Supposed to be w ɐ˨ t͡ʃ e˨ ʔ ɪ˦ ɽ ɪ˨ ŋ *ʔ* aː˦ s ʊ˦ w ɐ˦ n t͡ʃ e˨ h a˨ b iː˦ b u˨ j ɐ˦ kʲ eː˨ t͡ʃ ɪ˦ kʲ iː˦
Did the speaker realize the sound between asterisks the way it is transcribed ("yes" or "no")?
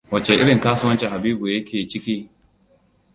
no